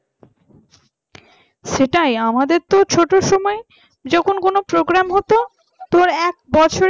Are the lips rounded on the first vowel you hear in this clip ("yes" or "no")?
no